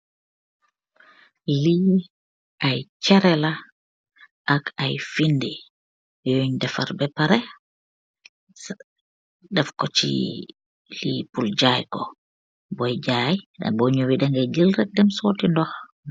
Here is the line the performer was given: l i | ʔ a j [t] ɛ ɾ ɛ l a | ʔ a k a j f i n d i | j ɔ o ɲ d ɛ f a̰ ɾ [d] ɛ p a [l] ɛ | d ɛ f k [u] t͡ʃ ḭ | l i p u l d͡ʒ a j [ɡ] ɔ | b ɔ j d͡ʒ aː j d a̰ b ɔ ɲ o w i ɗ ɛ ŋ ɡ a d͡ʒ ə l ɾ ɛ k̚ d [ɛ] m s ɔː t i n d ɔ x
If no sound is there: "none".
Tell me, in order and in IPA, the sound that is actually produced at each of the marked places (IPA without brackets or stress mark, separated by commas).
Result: t͡ʃ, b, ɾ, ɔ, k, ɛ